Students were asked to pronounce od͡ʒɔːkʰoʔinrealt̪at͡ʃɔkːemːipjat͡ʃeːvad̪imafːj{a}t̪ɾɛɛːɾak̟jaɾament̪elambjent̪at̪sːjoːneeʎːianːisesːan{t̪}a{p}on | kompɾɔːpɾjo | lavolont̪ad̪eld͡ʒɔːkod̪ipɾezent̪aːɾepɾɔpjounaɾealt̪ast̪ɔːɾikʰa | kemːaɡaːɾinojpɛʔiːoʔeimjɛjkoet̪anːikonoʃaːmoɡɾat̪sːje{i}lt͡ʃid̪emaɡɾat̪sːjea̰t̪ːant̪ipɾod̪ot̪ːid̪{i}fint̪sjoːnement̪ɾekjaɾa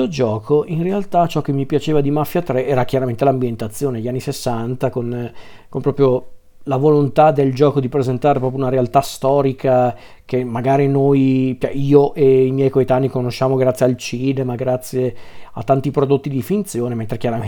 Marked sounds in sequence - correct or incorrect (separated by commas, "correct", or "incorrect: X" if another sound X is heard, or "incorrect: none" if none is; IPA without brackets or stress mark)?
correct, correct, incorrect: k, incorrect: a, correct